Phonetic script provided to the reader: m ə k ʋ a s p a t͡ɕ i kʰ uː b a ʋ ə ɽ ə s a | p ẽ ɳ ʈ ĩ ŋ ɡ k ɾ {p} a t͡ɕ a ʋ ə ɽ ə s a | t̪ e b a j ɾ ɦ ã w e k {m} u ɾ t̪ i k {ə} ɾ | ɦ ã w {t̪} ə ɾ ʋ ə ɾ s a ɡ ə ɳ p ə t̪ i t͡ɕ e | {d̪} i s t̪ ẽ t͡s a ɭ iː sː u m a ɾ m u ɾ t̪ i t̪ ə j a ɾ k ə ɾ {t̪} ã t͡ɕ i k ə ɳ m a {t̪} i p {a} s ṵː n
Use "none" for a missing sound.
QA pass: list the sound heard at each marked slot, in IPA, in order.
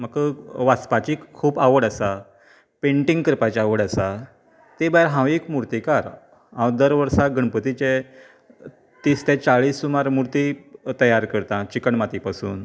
p, m, a, d̪, t̪, t̪, t̪, a

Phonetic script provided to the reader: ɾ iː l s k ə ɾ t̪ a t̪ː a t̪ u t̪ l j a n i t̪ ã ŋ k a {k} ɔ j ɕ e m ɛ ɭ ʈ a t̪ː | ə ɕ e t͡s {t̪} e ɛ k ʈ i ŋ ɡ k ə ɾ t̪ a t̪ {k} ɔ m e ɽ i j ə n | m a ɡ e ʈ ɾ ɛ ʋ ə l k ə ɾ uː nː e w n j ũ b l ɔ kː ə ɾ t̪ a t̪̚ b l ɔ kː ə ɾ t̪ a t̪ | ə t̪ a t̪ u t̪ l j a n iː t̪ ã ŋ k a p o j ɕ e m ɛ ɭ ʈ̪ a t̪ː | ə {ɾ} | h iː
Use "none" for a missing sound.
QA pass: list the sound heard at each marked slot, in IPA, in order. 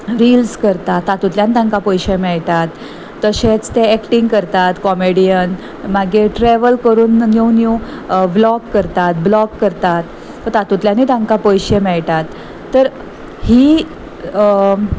p, t̪, k, ɾ

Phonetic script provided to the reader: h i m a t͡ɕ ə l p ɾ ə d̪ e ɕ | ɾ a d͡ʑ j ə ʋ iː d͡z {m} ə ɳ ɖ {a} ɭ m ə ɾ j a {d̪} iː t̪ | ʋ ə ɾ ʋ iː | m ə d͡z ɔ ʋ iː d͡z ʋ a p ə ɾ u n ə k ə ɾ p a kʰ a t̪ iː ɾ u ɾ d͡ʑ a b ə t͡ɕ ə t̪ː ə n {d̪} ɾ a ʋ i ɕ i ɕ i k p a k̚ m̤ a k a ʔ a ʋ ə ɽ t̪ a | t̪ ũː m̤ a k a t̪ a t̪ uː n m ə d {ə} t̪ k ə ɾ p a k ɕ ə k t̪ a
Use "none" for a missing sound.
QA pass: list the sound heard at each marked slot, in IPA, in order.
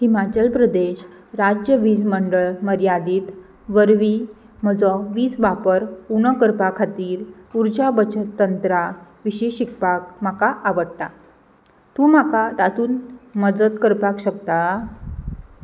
m, ə, d̪, t̪, ə

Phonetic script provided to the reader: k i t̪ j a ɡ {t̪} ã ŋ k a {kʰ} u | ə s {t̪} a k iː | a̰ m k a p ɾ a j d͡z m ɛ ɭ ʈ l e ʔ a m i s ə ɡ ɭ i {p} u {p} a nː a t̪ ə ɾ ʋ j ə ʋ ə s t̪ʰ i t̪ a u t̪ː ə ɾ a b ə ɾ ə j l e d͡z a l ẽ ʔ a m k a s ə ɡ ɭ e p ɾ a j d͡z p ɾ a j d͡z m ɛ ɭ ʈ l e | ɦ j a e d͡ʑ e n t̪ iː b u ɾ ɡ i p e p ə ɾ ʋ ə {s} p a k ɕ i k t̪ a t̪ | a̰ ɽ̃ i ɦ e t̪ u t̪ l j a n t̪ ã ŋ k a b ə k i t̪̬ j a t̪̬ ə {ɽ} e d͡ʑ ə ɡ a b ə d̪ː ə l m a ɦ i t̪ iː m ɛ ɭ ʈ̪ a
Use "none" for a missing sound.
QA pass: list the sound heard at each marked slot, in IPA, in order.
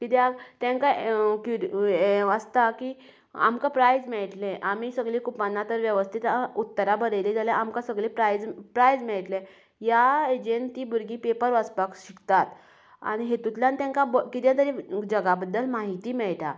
t̪, k, t̪, k, p, s, ɾ

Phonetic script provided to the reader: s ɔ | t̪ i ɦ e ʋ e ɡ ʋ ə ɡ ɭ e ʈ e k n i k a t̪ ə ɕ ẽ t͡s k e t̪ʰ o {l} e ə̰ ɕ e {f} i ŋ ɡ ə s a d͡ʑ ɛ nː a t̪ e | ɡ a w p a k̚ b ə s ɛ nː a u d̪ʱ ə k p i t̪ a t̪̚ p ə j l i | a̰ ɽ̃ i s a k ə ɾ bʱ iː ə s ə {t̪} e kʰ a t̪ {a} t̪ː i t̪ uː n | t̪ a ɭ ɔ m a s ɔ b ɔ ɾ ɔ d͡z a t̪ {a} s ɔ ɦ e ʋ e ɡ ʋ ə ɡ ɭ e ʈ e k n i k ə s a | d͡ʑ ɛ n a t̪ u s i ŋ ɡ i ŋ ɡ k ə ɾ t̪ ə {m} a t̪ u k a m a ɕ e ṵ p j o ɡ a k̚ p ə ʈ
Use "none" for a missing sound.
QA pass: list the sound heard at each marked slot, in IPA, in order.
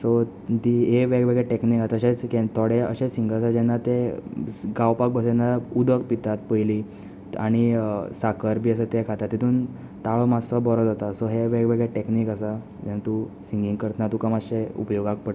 ɽ, s, t̪, a, a, n

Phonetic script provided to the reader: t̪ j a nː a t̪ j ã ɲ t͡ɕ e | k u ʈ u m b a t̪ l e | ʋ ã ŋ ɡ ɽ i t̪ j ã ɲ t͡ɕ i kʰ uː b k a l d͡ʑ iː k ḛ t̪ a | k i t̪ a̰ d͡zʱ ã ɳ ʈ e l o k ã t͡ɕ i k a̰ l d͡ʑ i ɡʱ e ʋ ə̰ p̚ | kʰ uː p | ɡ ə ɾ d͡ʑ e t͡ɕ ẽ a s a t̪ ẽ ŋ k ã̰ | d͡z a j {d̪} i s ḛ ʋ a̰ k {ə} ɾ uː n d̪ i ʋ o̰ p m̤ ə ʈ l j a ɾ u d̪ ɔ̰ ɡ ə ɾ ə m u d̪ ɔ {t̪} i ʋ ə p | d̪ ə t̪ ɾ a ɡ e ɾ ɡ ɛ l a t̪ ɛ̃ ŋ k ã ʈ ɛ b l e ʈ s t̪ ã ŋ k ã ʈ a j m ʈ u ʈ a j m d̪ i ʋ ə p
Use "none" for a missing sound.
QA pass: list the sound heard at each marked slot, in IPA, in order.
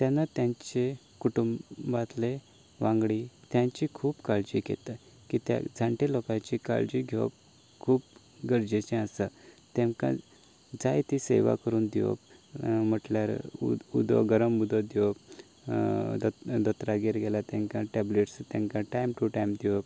t̪, ə, d̪

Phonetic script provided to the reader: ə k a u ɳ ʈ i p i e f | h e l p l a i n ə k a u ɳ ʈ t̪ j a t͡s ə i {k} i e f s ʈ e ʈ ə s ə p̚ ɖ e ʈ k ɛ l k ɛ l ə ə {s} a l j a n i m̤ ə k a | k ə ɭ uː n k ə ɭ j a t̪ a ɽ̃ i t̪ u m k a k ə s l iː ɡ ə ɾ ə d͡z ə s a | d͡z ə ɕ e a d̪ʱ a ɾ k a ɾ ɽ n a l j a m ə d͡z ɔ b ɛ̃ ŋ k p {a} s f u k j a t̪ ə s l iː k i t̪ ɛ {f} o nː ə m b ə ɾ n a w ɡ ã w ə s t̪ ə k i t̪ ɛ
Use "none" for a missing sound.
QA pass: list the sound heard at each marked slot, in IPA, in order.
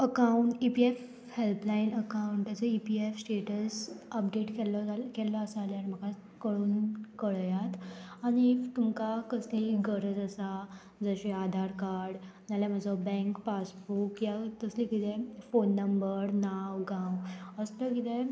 p, s, a, f

